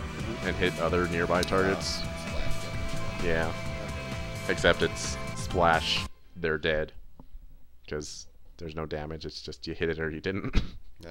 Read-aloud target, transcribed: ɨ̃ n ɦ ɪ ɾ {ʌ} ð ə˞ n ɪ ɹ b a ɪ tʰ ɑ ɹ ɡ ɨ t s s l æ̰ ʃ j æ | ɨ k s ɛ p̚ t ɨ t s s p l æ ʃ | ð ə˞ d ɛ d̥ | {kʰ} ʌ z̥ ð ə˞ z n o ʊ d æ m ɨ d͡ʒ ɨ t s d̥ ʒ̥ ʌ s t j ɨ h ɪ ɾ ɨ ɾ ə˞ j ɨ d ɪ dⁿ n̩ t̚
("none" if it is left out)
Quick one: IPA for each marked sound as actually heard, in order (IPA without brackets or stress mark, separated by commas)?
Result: ʌ, kʰ